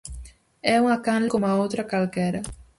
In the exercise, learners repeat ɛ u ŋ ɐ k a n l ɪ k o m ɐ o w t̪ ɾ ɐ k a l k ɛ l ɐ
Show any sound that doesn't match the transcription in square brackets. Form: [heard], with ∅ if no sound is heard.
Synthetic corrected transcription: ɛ u ŋ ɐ k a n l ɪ k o m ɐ o w t̪ ɾ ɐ k a l k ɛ [ɾ] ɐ